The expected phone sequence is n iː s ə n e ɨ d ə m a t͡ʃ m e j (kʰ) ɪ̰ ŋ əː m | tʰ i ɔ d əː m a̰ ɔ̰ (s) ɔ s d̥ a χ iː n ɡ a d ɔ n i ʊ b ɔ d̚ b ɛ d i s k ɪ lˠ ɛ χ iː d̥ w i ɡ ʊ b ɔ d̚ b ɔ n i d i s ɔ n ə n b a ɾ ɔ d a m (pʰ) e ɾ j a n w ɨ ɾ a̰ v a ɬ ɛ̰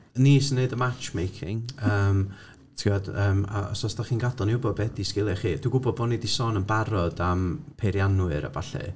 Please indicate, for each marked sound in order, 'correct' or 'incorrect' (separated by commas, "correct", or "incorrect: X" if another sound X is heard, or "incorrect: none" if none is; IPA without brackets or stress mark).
correct, correct, correct